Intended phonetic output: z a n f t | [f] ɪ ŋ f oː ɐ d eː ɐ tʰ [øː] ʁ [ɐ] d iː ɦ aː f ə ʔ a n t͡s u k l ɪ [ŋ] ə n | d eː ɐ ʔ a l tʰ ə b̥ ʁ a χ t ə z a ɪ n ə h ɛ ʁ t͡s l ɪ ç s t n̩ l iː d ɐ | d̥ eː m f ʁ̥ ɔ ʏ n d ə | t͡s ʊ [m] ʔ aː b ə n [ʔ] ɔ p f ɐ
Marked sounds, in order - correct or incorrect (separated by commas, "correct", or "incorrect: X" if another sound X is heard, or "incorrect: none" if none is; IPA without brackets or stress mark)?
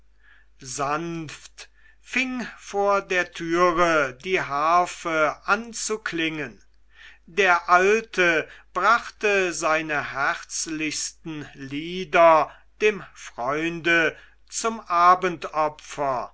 correct, incorrect: yː, incorrect: ə, correct, correct, incorrect: t